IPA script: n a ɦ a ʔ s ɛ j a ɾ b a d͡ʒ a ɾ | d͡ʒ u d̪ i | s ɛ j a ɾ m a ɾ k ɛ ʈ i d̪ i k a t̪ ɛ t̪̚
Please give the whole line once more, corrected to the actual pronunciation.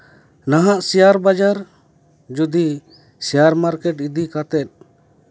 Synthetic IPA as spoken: n a ɦ a ʔ s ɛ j a ɾ b a d͡ʒ a ɾ | d͡ʒ u d̪ i | s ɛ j a ɾ m a ɾ k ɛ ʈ i d̪ i k a t̪ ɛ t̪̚